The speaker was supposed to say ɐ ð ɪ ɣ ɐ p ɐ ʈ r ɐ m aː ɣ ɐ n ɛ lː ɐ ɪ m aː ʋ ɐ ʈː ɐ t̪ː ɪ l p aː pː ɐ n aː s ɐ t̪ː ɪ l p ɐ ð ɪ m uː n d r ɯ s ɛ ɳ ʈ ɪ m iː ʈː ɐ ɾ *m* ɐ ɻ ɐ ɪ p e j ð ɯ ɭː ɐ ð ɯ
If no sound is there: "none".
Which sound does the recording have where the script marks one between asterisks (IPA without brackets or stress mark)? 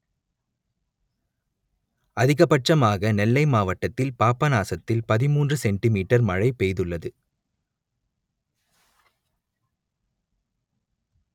m